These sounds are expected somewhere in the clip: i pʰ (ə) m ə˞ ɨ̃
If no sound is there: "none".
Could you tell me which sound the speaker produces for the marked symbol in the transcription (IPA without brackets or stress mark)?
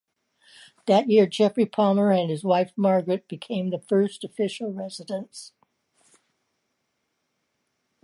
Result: ɑ